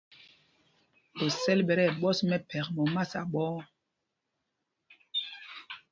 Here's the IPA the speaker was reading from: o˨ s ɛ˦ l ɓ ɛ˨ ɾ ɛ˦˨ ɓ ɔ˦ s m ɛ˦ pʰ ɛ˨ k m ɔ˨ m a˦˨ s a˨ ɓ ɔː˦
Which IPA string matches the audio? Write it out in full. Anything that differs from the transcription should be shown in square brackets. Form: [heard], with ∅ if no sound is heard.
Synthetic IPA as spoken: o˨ s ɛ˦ l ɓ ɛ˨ ɾ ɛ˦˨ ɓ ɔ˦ s m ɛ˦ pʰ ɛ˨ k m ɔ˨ m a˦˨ s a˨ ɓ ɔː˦